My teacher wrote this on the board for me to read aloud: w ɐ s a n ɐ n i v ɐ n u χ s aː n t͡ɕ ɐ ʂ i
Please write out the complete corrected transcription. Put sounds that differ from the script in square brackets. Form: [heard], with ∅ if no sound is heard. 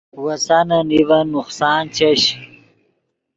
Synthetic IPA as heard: w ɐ s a n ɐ n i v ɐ n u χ s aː n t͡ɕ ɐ [ɕ] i